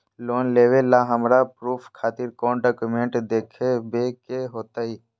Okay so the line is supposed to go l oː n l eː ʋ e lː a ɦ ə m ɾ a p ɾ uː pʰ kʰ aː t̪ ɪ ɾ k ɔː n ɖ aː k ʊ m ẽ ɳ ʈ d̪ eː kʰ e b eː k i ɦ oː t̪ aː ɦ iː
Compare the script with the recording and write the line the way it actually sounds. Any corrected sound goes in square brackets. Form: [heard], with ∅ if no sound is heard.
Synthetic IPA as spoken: l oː n l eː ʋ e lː a ɦ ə m ɾ a p ɾ uː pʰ kʰ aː t̪ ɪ ɾ k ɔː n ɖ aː k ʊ m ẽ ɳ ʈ d̪ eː kʰ e b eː k [e] ɦ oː t̪ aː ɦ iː